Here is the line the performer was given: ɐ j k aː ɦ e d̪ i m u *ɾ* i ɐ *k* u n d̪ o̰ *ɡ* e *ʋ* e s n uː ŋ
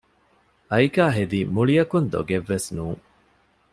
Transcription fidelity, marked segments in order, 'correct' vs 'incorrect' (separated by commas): incorrect, correct, correct, incorrect